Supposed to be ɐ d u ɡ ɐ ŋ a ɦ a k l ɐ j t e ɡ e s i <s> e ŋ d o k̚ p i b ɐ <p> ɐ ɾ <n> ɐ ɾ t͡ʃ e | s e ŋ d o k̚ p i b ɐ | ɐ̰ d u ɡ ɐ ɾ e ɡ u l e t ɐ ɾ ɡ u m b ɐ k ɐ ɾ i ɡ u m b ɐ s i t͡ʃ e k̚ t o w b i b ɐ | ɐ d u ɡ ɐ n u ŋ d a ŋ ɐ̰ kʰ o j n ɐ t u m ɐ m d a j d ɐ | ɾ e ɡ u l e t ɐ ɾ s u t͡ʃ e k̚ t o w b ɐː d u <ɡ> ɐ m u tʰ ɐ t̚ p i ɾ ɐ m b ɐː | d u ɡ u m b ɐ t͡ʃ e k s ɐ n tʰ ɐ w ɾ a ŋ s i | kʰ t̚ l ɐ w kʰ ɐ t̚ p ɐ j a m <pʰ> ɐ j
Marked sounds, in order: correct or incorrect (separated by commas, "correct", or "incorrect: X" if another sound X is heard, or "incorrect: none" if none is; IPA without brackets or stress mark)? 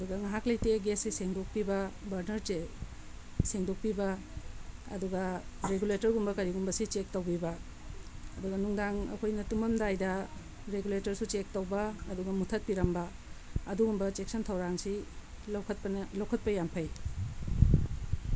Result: correct, incorrect: b, correct, correct, correct